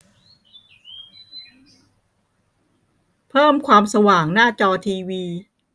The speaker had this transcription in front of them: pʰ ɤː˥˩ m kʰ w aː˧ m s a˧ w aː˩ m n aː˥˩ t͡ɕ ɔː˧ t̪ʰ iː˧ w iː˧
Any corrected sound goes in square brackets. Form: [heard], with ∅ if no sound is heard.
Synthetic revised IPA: pʰ ɤː˥˩ m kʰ w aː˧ m s a˧ w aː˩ [ŋ] n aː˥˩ t͡ɕ ɔː˧ t̪ʰ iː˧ w iː˧

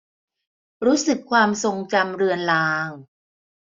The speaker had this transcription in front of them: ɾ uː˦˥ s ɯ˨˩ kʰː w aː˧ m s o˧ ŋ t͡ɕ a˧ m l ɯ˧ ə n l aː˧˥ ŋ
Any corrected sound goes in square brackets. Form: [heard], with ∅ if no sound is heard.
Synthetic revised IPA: ɾ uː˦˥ s ɯ˨˩ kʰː w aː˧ m s o˧ ŋ t͡ɕ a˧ m [ɾ] ɯ˧ ə n l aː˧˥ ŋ

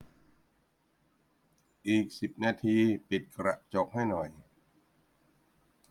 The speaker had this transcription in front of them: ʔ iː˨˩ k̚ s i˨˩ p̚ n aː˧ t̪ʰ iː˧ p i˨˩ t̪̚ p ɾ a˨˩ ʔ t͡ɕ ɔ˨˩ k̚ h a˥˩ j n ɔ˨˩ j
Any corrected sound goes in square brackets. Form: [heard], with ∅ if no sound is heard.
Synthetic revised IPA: ʔ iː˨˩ k̚ s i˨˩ p̚ n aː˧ t̪ʰ iː˧ p i˨˩ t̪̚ [k] ɾ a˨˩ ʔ t͡ɕ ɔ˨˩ k̚ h a˥˩ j n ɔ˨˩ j

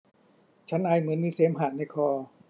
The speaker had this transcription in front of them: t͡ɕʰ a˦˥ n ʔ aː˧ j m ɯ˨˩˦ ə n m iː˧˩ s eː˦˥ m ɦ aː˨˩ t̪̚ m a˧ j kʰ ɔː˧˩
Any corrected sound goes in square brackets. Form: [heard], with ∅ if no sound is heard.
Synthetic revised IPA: t͡ɕʰ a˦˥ n ʔ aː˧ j m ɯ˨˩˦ ə n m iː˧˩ s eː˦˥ m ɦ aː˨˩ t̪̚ [n] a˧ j kʰ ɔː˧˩

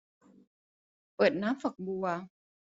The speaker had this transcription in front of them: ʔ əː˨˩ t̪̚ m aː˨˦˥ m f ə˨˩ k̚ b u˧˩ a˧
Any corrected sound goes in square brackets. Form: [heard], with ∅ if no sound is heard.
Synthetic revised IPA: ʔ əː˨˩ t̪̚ [n] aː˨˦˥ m f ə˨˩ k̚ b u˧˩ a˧

